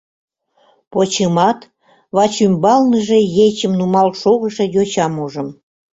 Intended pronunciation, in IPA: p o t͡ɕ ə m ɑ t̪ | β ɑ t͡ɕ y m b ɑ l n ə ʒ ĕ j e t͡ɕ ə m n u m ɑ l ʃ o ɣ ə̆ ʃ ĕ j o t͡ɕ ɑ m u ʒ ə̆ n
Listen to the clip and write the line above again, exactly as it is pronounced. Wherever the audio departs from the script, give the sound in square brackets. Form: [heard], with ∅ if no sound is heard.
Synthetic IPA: p o t͡ɕ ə m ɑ t̪ | β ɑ t͡ɕ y m b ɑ l n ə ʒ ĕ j e t͡ɕ ə m n u m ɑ l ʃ o ɣ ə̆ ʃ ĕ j o t͡ɕ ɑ m u ʒ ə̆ [m]